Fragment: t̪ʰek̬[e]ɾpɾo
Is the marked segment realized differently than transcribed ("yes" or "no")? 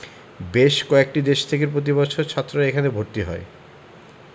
no